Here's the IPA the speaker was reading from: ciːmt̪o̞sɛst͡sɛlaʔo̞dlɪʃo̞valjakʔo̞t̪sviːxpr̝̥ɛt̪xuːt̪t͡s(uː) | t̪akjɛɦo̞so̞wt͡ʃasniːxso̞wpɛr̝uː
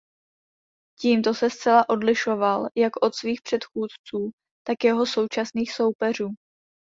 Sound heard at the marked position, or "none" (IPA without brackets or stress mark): uː